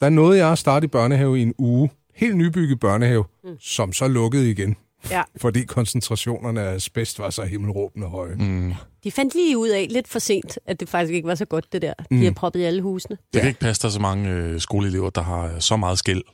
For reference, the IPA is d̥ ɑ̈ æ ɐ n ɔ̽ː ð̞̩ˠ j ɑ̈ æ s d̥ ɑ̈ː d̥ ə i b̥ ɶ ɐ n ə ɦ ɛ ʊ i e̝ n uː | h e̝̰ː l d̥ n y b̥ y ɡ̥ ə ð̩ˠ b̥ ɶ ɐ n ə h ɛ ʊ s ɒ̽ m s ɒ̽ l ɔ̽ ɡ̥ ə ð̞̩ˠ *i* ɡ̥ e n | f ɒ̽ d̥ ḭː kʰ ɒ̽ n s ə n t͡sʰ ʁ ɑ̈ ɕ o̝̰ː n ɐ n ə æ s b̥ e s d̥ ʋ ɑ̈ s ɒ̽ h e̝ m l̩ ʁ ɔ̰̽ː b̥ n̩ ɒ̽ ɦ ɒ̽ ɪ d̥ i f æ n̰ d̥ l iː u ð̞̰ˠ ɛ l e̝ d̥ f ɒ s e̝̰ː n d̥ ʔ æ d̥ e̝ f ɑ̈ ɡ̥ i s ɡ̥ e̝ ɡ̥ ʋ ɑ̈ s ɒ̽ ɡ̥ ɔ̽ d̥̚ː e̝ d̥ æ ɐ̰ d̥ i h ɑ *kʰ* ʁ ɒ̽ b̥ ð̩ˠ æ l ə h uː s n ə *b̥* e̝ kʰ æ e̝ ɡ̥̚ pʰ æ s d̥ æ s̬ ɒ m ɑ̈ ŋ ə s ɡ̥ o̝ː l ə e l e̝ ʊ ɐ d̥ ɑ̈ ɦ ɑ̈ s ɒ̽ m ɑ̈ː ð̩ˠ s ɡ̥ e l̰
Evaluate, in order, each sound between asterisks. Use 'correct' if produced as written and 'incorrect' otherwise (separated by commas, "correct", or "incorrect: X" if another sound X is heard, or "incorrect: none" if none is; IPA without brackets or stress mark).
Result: correct, incorrect: pʰ, incorrect: d̥